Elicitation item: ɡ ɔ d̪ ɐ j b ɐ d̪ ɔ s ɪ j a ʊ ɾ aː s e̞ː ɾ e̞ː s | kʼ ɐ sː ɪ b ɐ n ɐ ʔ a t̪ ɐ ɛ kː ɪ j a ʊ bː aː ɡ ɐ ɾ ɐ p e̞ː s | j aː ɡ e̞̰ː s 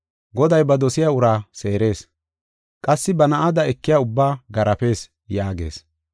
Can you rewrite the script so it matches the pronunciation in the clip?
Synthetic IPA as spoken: ɡ ɔ d̪ ɐ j b ɐ d̪ ɔ s ɪ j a ʊ ɾ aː s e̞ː ɾ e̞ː s | kʼ ɐ sː ɪ b ɐ n ɐ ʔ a d̪ ɐ ɛ kː ɪ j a ʊ bː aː ɡ ɐ ɾ ɐ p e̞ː s | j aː ɡ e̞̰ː s